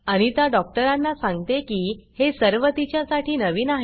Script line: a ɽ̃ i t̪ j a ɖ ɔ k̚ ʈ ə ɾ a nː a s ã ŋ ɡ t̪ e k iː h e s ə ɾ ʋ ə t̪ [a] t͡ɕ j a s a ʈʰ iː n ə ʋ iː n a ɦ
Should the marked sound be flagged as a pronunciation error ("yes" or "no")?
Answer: yes